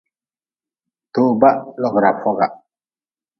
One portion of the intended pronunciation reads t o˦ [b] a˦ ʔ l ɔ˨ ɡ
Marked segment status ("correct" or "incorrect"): correct